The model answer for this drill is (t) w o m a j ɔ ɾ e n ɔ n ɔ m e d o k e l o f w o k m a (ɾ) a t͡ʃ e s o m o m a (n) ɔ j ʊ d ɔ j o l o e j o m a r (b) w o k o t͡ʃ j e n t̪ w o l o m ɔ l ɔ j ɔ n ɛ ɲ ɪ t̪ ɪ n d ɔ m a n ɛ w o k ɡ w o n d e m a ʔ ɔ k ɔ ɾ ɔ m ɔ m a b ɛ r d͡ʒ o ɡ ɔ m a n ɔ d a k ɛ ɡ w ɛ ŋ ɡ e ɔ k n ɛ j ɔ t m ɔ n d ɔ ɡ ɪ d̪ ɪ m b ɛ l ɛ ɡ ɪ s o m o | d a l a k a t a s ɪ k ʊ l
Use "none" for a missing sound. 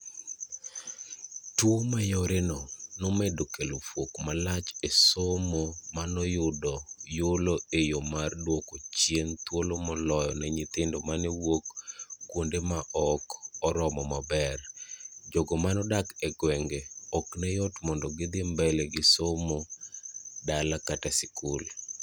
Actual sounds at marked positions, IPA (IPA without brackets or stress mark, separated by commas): t, l, n, d